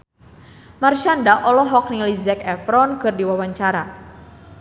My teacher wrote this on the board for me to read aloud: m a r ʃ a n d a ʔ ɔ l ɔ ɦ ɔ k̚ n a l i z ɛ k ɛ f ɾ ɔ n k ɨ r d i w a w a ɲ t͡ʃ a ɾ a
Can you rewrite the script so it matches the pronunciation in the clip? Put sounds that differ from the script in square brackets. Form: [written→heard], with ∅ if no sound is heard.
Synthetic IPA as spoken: m a r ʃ a n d a ʔ ɔ l ɔ ɦ ɔ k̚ n [a→i] l i z ɛ k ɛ f ɾ ɔ n k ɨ r d i w a w a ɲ t͡ʃ a ɾ a